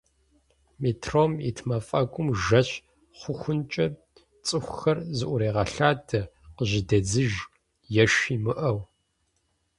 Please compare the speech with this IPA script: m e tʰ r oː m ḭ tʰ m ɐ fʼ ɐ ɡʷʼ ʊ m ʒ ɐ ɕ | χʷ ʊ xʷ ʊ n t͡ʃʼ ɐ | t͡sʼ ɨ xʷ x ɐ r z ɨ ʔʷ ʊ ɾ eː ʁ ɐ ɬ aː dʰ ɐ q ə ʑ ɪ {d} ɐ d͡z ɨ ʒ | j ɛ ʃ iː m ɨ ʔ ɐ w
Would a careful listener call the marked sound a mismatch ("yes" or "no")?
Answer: no